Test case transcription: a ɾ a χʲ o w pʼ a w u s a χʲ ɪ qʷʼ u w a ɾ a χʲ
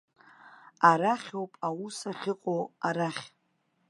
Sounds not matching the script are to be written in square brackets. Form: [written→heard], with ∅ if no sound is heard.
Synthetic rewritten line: a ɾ a χʲ o w pʼ a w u s a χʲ ɪ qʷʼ [u→o] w a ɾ a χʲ